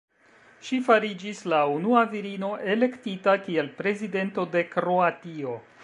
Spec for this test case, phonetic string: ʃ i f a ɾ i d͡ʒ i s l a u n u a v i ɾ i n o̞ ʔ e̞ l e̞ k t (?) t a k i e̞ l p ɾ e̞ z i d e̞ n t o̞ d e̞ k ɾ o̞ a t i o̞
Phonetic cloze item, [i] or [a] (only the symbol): i